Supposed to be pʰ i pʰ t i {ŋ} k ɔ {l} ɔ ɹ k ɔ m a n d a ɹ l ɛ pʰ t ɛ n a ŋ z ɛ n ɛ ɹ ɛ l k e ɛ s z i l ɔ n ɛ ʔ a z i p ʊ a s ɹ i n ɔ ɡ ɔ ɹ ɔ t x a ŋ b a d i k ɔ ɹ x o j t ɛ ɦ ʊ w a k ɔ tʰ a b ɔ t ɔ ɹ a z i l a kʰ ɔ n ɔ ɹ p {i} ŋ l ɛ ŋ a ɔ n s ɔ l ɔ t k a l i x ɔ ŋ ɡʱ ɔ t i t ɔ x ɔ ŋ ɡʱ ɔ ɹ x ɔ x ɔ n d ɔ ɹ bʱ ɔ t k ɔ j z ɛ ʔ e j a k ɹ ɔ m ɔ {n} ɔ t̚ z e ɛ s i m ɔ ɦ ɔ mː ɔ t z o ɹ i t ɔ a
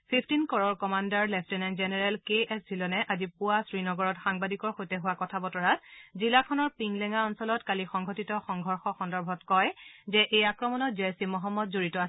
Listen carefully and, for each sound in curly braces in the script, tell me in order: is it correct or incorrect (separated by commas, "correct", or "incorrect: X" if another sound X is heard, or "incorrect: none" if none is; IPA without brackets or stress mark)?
incorrect: n, incorrect: ɹ, correct, correct